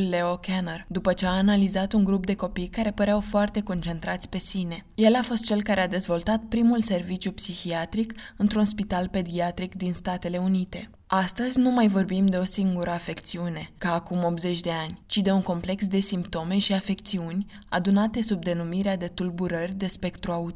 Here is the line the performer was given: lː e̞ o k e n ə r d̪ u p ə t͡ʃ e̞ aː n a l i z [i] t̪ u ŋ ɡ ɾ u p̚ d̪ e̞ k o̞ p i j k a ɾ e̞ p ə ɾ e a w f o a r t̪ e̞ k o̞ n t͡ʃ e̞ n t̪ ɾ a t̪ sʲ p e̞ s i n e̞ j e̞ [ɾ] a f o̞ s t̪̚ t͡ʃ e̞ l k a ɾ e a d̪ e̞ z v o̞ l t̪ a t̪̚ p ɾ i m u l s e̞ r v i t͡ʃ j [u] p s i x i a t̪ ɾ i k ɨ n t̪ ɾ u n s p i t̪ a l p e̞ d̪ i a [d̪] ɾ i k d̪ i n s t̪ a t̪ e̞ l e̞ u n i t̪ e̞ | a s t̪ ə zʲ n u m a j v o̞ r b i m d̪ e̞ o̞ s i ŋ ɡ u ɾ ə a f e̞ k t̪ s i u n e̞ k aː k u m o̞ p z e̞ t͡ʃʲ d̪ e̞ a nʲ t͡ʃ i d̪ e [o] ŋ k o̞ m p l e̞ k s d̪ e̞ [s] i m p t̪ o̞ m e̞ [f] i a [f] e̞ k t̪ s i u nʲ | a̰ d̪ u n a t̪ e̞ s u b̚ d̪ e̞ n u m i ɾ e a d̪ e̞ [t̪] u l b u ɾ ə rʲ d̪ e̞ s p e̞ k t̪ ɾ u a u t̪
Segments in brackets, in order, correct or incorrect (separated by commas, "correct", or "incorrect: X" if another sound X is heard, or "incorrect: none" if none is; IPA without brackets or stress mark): incorrect: a, incorrect: l, correct, incorrect: t̪, incorrect: u, correct, incorrect: ʃ, correct, correct